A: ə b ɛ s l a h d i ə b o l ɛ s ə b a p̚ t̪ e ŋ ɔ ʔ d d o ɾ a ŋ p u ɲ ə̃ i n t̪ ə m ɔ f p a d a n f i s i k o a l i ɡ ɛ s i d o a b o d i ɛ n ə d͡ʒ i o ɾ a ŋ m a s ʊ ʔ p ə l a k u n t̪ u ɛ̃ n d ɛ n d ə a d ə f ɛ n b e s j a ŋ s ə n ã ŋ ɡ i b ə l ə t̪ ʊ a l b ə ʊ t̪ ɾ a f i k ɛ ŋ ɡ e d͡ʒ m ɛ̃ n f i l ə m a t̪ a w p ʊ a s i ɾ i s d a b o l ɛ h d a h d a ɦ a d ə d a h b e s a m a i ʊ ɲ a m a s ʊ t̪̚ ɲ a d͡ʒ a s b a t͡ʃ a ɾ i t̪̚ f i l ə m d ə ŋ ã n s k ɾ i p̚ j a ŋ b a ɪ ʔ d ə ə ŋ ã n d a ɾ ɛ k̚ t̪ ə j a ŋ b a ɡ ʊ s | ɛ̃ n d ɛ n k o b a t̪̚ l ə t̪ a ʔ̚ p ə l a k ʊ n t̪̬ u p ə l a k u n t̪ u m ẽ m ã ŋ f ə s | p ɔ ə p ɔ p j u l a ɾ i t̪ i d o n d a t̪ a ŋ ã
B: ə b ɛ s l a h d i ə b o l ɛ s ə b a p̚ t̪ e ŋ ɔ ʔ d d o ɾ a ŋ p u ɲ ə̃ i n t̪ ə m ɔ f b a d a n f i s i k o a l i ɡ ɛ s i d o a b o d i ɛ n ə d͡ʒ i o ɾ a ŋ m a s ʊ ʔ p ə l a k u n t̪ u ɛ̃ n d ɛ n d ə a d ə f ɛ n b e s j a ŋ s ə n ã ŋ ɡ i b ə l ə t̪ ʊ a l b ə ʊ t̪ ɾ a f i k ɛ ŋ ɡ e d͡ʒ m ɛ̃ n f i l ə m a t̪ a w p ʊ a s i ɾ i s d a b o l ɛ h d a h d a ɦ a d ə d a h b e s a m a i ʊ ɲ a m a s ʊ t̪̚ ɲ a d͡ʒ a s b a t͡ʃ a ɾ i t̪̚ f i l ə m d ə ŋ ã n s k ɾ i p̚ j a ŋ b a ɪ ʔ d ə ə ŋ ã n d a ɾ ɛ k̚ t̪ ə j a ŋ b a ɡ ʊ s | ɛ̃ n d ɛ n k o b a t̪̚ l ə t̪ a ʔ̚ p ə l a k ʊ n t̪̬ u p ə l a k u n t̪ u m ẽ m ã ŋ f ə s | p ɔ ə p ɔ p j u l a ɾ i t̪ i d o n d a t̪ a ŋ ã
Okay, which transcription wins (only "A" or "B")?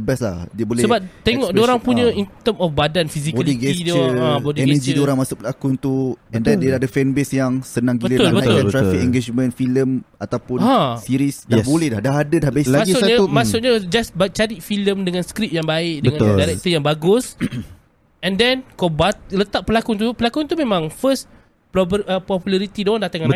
B